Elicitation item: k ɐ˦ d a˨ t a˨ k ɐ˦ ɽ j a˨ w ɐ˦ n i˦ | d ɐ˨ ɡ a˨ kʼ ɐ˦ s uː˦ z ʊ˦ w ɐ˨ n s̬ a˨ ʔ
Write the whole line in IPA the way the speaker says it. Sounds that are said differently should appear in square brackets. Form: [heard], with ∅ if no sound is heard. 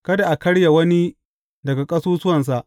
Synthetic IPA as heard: k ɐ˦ d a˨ [ʔ] a˨ k ɐ˦ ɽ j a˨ w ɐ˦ n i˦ | d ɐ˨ ɡ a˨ kʼ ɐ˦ s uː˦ [s] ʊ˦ w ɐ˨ n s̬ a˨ ʔ